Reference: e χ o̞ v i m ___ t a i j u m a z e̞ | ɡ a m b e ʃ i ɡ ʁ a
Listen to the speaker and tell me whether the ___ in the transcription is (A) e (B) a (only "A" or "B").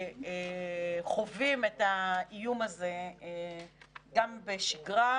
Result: A